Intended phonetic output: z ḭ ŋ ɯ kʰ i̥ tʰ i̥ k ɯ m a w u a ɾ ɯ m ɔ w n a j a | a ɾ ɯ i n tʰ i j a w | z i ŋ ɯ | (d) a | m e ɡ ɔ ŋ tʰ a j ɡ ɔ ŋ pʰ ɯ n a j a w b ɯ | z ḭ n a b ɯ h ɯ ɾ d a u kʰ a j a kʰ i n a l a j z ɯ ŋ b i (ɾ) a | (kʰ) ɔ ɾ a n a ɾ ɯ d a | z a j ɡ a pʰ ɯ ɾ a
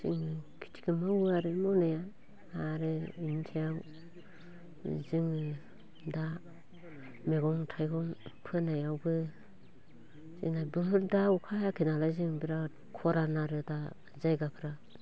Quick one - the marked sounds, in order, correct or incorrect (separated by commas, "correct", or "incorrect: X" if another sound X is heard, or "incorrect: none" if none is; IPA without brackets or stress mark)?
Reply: correct, correct, correct